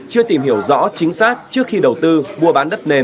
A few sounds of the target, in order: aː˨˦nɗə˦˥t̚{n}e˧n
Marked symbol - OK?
yes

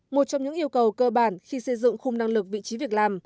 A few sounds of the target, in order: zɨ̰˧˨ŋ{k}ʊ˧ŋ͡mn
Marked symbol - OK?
no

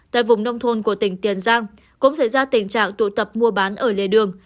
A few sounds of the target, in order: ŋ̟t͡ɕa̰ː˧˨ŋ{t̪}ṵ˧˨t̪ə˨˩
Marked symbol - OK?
yes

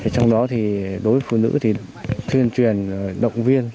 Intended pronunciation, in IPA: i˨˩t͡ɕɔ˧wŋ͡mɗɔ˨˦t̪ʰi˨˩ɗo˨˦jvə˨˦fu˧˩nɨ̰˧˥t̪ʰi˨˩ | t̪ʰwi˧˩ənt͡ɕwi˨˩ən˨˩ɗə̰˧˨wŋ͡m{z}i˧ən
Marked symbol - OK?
no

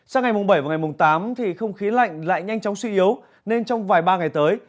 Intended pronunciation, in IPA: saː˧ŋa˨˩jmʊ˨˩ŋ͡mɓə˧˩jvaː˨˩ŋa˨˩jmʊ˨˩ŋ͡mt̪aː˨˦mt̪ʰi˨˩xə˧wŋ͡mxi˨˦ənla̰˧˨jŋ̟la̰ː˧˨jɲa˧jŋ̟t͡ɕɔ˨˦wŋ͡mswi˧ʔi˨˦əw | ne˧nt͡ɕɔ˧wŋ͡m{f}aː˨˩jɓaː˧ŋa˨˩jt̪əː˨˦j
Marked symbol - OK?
no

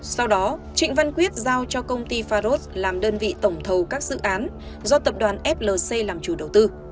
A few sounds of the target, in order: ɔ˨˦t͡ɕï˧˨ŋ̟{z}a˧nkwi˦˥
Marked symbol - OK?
no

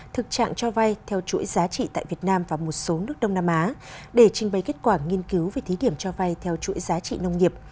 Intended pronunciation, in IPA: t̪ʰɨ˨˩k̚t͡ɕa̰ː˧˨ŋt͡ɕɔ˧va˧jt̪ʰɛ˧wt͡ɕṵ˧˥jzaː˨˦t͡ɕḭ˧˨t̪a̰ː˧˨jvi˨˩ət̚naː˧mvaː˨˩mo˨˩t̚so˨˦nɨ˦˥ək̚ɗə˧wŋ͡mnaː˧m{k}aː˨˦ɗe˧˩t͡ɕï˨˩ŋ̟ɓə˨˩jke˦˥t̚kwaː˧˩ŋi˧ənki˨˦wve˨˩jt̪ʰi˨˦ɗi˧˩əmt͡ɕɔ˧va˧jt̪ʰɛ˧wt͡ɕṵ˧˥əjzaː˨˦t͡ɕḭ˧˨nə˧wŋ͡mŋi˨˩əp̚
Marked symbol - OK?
no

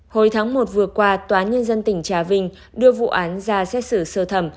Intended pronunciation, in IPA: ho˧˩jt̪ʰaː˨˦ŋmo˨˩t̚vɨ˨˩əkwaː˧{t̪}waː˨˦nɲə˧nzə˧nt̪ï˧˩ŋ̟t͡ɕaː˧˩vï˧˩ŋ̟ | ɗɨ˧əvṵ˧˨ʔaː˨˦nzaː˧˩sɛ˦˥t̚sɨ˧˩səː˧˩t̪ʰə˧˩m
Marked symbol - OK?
yes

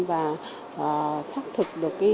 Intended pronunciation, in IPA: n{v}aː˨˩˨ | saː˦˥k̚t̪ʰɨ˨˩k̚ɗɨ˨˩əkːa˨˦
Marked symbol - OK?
yes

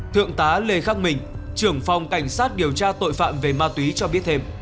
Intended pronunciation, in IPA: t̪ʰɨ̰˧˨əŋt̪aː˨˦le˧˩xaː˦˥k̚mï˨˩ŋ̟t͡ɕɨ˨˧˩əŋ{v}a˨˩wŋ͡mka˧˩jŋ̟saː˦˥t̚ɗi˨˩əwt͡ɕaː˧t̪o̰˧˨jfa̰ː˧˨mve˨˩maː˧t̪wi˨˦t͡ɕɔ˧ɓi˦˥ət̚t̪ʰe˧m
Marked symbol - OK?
no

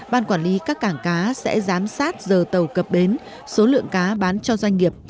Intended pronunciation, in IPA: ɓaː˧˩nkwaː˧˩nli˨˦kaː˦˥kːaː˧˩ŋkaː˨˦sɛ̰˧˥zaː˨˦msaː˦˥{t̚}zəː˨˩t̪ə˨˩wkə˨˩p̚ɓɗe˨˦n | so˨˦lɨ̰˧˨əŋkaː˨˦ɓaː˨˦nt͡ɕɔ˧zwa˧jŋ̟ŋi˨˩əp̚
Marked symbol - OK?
yes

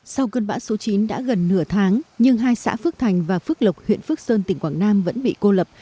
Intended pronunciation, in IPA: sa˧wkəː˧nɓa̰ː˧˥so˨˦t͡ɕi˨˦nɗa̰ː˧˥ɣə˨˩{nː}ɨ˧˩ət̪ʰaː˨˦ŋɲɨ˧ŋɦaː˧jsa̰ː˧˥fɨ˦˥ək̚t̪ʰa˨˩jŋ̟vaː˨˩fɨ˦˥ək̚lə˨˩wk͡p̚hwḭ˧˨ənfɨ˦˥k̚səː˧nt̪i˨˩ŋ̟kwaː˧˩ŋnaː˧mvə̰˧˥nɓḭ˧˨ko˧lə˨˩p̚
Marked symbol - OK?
yes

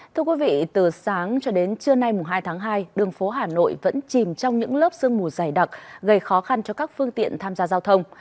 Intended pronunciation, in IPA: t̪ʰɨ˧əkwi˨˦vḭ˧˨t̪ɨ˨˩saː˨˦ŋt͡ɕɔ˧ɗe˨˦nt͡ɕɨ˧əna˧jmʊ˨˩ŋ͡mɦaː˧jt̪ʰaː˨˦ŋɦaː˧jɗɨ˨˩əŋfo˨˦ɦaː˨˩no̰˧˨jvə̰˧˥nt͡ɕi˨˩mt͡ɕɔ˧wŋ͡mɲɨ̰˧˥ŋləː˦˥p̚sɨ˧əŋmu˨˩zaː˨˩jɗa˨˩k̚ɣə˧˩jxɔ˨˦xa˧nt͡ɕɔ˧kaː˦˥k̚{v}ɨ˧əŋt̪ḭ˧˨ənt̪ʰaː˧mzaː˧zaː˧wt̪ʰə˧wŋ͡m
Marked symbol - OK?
no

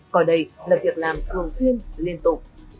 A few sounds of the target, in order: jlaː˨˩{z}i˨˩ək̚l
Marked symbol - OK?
no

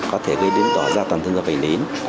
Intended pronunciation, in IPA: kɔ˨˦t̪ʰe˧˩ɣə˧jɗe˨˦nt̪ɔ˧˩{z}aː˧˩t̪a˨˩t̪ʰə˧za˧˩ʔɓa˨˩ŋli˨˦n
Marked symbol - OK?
yes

